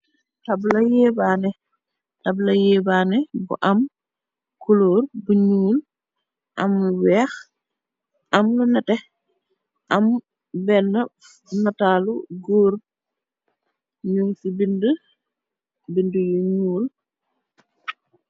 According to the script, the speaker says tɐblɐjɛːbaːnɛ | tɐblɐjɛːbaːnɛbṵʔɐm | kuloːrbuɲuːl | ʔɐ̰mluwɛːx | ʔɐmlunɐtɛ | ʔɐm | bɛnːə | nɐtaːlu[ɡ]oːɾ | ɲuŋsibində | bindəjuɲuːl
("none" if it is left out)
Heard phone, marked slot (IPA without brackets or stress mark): ɡ